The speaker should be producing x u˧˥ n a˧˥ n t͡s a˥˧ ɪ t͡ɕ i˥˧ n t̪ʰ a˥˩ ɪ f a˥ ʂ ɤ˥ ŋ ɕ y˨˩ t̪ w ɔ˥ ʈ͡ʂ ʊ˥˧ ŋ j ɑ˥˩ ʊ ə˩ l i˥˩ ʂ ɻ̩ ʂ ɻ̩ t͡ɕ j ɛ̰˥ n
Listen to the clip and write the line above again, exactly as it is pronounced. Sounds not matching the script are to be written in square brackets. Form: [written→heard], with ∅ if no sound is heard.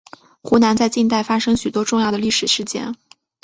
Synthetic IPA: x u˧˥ n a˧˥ n t͡s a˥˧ ɪ t͡ɕ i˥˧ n [t̪ʰ→t̪] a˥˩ ɪ f a˥ ʂ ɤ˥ ŋ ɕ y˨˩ t̪ w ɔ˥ ʈ͡ʂ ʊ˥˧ ŋ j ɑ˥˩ ʊ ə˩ l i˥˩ ʂ ɻ̩ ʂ ɻ̩ t͡ɕ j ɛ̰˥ n